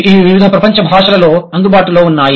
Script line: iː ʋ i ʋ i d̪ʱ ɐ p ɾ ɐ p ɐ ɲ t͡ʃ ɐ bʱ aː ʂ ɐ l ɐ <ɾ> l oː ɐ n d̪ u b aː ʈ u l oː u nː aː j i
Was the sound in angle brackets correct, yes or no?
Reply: no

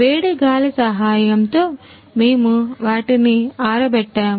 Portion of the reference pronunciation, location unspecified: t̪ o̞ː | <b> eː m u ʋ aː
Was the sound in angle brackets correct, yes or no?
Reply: no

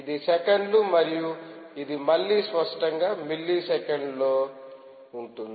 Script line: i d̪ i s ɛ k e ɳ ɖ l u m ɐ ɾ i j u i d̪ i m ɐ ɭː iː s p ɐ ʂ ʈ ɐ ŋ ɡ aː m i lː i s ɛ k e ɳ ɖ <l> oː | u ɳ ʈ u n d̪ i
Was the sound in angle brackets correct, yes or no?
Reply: yes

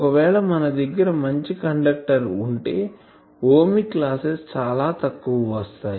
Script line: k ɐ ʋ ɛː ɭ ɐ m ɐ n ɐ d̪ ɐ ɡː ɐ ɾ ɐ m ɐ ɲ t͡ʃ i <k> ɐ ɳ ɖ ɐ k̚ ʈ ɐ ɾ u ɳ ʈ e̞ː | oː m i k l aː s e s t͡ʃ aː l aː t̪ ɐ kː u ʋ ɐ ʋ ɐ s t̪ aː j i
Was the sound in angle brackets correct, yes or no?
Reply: yes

